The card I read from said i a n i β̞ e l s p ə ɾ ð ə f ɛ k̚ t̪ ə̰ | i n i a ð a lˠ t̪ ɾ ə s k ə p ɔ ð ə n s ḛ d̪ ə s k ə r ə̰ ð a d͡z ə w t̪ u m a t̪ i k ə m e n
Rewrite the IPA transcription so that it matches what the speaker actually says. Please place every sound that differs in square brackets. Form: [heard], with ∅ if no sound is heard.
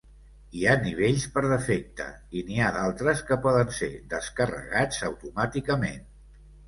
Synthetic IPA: i a n i β̞ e [ʎ] s p ə ɾ ð ə f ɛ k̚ t̪ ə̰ | i n i a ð a lˠ t̪ ɾ ə s k ə p ɔ ð ə n s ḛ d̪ ə s k ə r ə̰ [ɣ] a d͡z ə w t̪ u m a t̪ i k ə m e n